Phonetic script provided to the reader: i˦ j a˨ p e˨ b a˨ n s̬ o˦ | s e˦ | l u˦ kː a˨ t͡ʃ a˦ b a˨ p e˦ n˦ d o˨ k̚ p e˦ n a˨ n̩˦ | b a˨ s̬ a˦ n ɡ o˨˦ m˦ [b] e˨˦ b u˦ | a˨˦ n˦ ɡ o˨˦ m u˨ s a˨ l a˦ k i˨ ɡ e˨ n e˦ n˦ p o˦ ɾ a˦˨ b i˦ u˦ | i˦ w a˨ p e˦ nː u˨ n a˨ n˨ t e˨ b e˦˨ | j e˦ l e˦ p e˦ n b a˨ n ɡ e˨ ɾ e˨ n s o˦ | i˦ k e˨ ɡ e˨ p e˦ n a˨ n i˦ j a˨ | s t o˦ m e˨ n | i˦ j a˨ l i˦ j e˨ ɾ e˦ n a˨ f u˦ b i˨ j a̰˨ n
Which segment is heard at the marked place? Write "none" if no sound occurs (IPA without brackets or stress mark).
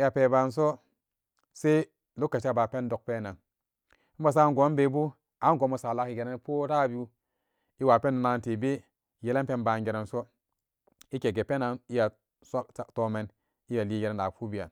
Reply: b